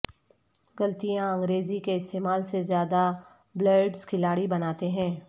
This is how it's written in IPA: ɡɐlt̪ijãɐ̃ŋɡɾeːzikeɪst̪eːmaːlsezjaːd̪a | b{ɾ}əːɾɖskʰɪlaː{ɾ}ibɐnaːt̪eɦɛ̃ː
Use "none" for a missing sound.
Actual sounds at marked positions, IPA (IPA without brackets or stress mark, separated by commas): l, ɽ